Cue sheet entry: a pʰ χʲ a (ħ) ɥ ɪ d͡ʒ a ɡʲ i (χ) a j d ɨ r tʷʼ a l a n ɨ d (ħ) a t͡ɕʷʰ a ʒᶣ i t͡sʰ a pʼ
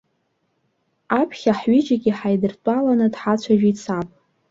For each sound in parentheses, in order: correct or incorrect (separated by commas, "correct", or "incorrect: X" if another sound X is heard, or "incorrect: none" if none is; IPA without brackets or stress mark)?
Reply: correct, incorrect: ħ, correct